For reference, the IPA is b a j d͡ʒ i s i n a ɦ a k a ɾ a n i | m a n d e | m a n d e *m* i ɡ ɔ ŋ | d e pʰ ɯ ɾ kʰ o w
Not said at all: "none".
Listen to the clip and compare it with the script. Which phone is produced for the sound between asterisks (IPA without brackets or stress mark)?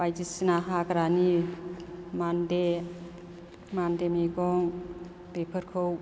m